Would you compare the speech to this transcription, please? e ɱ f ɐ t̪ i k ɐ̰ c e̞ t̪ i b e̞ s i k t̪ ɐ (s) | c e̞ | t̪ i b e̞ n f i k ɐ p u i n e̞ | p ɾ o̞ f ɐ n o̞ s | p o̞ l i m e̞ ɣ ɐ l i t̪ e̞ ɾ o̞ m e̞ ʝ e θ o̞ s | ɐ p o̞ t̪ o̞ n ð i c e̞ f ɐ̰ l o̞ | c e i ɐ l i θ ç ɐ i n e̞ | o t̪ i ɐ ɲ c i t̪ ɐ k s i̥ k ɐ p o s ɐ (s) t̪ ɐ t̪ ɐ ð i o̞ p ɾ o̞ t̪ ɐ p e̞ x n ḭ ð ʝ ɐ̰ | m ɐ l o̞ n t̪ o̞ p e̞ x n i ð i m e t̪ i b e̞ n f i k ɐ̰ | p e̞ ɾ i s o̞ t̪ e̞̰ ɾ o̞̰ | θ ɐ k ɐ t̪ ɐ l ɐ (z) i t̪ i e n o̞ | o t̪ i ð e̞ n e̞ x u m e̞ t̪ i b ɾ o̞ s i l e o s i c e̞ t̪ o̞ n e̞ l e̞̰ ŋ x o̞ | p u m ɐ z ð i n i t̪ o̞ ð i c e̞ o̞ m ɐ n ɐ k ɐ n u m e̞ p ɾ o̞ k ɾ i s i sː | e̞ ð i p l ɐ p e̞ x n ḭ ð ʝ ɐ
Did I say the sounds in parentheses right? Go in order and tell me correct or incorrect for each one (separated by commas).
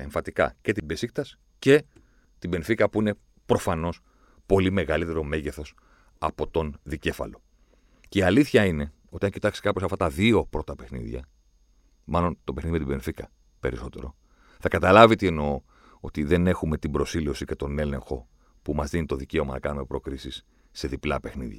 correct, incorrect, incorrect